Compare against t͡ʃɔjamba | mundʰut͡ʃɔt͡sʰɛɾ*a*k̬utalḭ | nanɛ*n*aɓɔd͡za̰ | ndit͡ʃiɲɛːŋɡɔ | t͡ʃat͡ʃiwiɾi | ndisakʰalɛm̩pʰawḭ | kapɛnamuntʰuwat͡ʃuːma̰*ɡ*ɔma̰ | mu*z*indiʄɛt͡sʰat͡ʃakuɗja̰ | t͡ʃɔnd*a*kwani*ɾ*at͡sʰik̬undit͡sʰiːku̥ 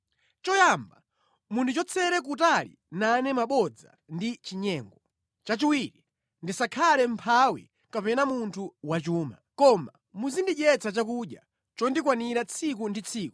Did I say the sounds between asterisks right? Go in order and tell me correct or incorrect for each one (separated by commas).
incorrect, incorrect, incorrect, correct, incorrect, correct